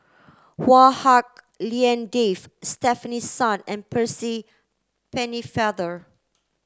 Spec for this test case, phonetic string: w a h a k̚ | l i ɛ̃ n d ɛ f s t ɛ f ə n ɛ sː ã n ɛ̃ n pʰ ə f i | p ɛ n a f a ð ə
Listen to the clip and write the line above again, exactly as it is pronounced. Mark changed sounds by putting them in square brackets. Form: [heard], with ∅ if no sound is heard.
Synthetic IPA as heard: w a h a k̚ | l i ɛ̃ n d [e] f s t ɛ f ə n [i] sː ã n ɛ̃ n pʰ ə [s] i | p ɛ n [i] f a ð ə